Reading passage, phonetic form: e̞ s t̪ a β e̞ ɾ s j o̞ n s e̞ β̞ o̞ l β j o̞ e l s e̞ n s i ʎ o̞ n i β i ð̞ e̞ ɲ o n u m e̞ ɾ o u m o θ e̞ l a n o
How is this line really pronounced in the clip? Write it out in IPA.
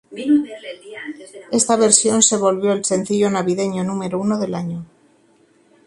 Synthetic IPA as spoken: e̞ s t̪ a β e̞ ɾ s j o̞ n s e̞ β̞ o̞ l β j o̞ e l s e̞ n θ i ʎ o̞ n a β i ð̞ e̞ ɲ o n u m e̞ ɾ o u n o ð e̞ l a ɲ o